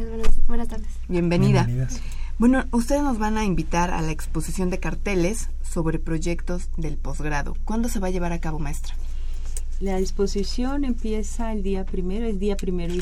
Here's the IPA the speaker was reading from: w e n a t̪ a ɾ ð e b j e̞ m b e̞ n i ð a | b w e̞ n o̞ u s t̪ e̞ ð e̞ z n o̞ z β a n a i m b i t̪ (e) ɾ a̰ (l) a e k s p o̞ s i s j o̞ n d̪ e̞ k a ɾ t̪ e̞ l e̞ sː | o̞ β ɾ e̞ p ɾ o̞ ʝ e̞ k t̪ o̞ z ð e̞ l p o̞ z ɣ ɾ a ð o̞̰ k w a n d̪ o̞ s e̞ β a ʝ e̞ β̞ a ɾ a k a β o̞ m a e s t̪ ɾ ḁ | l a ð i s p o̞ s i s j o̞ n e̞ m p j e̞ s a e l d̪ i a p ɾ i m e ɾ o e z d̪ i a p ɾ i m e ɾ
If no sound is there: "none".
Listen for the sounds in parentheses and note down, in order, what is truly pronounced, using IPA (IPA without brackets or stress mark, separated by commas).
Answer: a, l